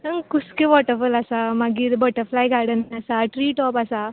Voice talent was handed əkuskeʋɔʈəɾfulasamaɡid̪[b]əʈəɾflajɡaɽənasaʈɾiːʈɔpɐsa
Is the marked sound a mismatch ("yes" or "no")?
no